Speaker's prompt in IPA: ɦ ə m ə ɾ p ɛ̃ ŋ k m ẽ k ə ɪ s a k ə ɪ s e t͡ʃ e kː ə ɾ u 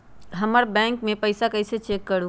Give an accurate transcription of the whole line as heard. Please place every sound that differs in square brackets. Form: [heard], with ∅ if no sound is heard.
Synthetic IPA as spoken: ɦ ə m ə ɾ [b] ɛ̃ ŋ k m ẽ [p] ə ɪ s a k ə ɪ s e t͡ʃ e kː ə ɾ u